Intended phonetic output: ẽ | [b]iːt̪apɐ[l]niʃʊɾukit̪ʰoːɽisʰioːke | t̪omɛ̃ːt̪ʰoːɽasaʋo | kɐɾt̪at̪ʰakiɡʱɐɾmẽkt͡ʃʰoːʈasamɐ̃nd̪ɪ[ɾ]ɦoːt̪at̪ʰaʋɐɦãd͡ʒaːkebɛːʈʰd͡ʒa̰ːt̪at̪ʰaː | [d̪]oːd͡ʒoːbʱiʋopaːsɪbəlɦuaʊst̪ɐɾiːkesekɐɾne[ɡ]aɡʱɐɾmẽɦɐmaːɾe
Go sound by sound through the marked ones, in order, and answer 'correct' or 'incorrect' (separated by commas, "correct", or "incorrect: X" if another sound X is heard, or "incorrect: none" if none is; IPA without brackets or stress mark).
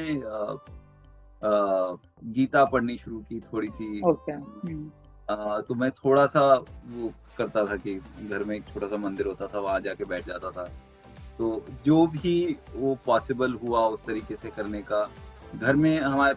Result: incorrect: ɡ, incorrect: ɽ, correct, incorrect: t̪, incorrect: k